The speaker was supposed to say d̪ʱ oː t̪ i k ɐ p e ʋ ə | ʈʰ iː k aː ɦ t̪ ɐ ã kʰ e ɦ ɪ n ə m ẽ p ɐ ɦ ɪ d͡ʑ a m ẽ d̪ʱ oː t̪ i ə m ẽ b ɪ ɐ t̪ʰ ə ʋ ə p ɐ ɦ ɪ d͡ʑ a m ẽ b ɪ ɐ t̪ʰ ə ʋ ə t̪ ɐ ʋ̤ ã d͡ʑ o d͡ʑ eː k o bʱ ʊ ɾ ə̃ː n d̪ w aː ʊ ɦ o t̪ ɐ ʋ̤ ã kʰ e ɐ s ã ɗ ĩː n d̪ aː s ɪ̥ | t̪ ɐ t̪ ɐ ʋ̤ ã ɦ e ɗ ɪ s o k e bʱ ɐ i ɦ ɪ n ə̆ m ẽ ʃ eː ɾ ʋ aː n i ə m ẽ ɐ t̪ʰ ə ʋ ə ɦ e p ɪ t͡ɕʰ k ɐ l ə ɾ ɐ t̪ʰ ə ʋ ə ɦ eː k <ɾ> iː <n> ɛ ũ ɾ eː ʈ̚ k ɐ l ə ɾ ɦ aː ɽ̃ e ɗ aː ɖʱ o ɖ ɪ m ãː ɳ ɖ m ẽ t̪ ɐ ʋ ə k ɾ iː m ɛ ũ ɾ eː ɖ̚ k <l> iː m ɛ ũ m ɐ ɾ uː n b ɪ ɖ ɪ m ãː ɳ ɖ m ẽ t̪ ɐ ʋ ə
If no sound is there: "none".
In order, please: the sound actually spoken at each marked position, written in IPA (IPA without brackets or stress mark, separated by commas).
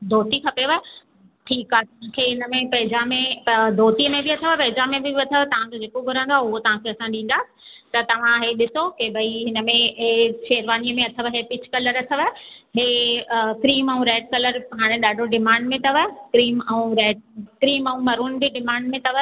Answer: ɾ, m, ɾ